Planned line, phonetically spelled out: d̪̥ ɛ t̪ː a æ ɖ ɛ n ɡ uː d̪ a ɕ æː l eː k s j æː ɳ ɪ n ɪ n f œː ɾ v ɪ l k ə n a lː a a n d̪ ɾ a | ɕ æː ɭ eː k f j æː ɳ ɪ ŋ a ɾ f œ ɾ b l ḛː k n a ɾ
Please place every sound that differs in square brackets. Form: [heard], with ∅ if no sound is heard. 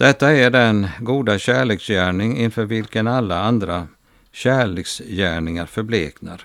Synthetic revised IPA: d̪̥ ɛ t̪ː a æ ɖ ɛ n ɡ uː d̪ a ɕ æː [ɭ] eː k s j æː ɳ ɪ [ŋ] ɪ n f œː ɾ v ɪ l k ə n a lː a a n d̪ ɾ a | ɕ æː ɭ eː k [s] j æː ɳ ɪ ŋ a ɾ f œ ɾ b l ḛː k n a ɾ